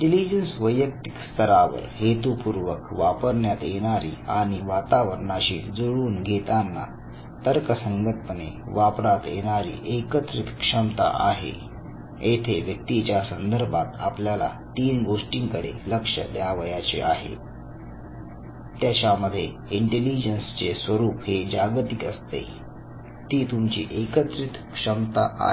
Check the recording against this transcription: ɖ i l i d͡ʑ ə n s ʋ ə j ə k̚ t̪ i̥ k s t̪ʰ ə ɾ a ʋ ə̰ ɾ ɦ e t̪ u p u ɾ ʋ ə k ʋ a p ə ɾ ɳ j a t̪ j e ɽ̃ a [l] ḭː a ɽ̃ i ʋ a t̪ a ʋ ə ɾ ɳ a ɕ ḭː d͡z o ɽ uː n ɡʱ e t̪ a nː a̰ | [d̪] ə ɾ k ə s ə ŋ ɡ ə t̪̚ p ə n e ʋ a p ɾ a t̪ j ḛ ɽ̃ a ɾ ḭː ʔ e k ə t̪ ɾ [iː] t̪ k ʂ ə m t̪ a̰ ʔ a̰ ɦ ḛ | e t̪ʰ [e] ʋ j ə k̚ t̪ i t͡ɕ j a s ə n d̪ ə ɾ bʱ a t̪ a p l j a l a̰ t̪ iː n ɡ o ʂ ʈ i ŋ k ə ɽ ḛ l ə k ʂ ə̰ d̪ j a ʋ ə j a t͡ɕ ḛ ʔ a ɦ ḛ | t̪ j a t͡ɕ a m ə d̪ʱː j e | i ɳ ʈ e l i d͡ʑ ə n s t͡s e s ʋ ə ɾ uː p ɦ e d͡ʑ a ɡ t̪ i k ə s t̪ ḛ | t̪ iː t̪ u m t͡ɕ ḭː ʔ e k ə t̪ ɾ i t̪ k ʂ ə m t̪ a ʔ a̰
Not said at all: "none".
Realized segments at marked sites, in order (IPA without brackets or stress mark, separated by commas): ɾ, t̪, i, e